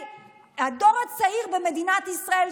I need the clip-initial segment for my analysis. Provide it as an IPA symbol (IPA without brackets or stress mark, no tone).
a